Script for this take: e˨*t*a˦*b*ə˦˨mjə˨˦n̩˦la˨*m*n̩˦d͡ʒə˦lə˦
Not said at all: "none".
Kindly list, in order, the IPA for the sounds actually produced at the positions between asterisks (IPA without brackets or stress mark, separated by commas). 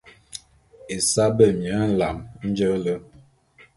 s, b, m